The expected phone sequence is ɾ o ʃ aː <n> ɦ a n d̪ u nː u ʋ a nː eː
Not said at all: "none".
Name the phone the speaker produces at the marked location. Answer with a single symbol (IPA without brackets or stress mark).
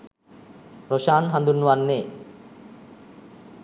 n